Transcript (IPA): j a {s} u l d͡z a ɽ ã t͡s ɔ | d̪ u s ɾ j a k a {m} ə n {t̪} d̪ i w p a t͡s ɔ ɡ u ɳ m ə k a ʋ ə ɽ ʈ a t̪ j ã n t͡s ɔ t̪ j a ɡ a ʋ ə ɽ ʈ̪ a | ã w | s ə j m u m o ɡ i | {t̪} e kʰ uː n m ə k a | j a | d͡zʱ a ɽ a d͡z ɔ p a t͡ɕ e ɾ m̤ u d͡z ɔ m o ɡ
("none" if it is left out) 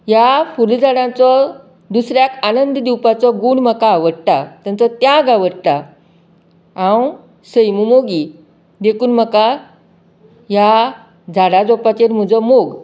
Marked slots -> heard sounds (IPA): f, n, d̪, d̪

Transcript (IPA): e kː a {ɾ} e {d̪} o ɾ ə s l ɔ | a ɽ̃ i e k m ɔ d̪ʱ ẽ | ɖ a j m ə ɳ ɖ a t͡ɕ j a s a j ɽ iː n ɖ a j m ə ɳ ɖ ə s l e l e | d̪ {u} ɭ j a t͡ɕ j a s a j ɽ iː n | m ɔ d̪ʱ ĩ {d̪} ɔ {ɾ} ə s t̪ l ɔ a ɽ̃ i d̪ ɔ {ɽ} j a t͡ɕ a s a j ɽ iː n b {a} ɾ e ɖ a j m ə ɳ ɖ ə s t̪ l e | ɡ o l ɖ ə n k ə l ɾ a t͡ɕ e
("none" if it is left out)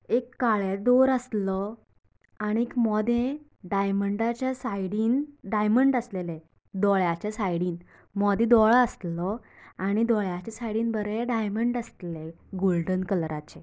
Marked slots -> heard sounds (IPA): ɭ, d̪, ɔ, d̪, ɭ, ɭ, ə

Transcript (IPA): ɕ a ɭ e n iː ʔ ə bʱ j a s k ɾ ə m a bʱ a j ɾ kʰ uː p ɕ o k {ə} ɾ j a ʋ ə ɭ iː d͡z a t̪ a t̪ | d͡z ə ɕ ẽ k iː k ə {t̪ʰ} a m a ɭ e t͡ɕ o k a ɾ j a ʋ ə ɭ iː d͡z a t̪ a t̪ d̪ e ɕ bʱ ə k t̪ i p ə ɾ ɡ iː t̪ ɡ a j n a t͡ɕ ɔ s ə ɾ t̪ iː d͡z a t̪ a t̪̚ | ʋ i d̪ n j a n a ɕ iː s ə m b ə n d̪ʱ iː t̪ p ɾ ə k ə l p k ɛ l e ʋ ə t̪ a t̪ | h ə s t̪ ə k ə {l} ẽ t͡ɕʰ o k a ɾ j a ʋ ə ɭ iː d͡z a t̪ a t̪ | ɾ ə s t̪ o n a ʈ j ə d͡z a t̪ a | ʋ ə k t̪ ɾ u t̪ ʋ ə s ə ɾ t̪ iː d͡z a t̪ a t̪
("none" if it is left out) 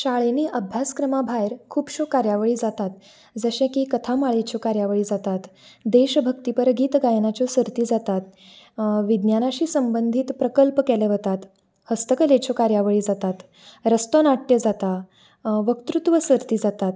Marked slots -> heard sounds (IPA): a, t̪ʰ, l

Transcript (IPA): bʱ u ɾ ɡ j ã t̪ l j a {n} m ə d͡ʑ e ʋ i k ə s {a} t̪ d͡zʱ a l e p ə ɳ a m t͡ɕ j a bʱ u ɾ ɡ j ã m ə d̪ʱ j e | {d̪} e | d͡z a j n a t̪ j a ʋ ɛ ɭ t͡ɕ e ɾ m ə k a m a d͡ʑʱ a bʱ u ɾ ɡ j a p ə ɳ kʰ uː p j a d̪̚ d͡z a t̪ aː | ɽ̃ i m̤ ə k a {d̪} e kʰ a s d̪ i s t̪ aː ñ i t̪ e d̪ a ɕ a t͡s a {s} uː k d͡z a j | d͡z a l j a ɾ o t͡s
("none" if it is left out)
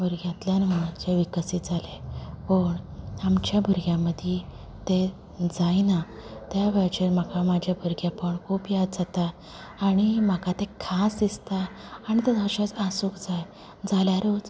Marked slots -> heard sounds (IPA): n, i, t̪, t̪, s

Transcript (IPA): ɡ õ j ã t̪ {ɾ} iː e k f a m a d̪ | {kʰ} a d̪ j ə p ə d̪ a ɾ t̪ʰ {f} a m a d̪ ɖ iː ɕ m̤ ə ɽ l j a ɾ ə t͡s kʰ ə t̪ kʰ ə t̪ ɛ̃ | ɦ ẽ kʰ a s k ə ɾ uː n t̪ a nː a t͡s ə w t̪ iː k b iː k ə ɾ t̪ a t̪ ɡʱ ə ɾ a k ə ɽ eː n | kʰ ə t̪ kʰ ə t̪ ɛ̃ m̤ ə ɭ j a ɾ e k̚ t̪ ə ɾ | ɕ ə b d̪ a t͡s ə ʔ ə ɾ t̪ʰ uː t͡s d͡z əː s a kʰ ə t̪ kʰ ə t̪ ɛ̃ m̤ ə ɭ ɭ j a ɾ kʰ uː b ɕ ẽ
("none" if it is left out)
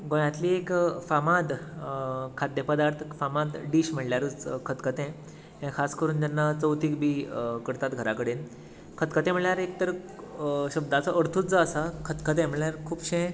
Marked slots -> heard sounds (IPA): l, kʰ, f

